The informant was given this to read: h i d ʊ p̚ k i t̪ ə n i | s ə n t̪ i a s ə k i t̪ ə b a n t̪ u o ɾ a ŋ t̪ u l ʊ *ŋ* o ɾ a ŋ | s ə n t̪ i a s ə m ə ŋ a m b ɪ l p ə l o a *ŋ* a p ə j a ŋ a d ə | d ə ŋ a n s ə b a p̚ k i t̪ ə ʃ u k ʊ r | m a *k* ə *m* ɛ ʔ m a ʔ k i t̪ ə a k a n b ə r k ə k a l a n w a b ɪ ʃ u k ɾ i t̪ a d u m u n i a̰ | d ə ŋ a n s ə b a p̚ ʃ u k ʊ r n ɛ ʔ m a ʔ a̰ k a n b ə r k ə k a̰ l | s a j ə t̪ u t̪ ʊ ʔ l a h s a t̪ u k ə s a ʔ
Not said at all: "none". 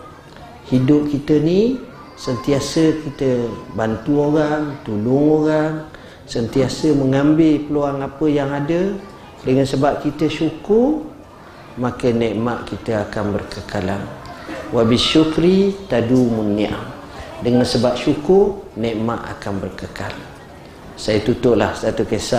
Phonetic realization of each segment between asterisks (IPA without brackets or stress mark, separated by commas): ŋ, ŋ, k, n